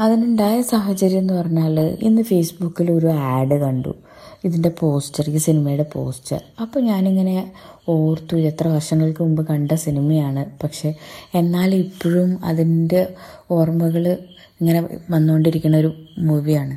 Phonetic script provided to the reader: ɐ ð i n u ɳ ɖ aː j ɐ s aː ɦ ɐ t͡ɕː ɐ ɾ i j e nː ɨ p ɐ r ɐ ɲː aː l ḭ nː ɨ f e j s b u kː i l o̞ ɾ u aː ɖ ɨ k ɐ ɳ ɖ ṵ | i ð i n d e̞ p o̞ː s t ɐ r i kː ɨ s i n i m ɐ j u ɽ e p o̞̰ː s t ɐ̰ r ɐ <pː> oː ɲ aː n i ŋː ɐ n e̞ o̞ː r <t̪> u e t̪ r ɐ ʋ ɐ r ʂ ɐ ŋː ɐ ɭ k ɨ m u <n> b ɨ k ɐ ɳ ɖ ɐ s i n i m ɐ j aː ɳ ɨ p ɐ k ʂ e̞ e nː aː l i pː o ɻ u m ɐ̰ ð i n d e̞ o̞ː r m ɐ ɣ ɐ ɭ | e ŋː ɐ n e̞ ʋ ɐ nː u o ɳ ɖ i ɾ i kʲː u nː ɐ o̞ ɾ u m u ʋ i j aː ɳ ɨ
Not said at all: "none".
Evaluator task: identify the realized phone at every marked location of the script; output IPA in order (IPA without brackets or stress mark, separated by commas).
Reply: pː, t̪, m